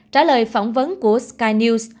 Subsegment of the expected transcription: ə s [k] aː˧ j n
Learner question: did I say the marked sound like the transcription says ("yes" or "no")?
yes